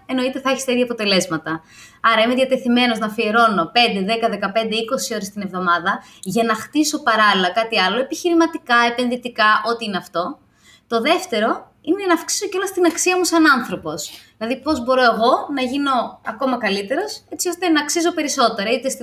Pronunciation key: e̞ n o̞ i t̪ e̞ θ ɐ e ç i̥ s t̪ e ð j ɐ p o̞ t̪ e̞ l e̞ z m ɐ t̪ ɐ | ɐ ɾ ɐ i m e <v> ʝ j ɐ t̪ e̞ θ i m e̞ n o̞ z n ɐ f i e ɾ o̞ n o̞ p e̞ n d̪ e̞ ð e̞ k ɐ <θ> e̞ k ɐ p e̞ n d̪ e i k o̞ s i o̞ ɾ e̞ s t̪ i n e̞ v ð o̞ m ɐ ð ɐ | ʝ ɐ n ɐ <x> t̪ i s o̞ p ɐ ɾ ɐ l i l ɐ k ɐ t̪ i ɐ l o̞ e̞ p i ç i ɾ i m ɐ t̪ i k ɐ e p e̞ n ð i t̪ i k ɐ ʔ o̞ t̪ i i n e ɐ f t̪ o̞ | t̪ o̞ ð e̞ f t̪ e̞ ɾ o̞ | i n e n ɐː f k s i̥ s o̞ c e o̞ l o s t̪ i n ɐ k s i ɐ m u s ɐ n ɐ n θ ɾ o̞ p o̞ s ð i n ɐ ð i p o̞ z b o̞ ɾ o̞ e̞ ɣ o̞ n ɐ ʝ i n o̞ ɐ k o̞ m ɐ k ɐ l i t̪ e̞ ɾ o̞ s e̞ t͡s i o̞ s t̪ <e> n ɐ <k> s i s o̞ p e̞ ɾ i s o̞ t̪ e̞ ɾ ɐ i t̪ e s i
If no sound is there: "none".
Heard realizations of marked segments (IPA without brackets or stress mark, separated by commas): ð, ð, x, e, k